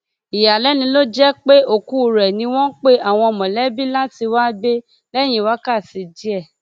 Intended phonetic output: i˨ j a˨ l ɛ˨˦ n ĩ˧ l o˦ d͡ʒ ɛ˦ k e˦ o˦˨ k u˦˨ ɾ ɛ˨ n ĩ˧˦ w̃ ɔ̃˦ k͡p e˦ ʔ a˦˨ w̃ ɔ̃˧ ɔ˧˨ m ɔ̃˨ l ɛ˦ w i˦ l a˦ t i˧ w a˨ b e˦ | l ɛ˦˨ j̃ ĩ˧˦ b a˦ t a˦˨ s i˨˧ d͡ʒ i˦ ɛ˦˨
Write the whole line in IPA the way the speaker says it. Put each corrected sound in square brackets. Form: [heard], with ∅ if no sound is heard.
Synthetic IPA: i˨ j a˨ l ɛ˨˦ n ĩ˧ l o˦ d͡ʒ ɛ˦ [k͡p] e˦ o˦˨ k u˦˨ ɾ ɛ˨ n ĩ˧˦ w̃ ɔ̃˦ k͡p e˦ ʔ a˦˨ w̃ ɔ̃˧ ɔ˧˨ m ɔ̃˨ l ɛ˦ [b] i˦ l a˦ t i˧ w [a˦] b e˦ | l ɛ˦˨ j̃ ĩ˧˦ [w] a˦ [k] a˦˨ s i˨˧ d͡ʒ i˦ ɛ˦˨